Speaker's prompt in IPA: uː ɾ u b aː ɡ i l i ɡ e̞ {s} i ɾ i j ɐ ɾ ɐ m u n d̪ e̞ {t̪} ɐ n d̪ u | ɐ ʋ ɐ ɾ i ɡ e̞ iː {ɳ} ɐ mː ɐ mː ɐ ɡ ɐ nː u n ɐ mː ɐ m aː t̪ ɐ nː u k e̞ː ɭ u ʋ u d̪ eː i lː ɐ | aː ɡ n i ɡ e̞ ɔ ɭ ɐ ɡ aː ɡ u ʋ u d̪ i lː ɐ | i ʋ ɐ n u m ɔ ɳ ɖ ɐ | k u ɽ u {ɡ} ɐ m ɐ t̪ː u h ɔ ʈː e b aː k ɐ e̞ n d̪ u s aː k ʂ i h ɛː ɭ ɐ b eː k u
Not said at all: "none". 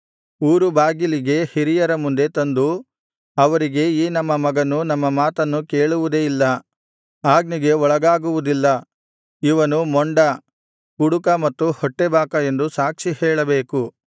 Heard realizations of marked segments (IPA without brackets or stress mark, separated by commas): h, t̪, n, k